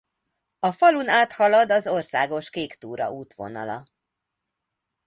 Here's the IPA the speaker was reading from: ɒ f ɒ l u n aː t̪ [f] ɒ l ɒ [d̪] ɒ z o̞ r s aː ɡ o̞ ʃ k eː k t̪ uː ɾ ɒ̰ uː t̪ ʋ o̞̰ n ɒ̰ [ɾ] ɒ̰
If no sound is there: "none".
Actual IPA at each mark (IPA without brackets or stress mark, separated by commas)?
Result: h, d̪, l